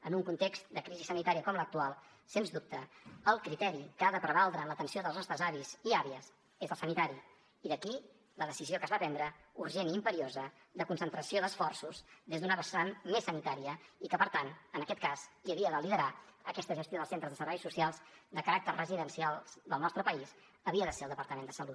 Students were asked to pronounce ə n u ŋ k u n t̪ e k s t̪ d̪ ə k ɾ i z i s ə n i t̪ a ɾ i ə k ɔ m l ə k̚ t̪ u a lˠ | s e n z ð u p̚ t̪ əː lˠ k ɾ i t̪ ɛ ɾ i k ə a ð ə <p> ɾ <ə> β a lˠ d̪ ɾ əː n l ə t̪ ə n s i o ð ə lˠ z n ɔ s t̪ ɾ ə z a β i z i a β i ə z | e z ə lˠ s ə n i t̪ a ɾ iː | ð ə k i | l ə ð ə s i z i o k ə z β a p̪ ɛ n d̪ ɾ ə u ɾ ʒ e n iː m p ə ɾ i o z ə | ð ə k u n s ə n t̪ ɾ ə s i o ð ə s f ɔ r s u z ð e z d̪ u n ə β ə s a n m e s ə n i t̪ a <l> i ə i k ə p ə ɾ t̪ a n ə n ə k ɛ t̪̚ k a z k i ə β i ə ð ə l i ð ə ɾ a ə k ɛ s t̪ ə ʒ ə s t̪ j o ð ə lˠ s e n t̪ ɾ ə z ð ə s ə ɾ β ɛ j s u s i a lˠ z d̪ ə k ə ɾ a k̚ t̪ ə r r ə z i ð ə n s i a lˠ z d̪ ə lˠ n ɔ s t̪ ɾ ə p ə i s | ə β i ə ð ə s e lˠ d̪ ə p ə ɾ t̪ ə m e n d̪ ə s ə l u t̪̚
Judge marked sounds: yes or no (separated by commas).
yes, yes, no